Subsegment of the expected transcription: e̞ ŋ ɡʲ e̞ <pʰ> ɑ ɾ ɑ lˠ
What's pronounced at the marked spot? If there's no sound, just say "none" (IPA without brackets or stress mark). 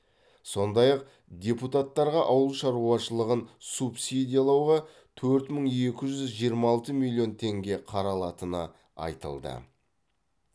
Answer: qʰ